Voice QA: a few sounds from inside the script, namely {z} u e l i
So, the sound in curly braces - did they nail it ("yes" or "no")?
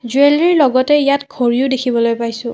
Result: yes